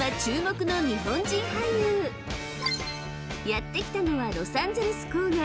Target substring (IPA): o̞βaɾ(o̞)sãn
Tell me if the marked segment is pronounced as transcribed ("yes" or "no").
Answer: yes